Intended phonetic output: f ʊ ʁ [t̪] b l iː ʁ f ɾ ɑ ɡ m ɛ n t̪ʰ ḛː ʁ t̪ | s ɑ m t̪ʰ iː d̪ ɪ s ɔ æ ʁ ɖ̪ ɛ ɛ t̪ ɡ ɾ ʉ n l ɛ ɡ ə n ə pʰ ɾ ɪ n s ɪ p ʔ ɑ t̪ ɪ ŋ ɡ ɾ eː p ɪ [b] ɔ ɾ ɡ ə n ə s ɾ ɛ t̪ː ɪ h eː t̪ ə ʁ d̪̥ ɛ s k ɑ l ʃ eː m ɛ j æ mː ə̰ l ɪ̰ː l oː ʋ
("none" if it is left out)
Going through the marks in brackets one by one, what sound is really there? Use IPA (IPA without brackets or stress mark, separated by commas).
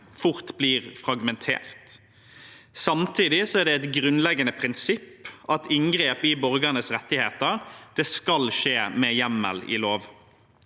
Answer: t̪, b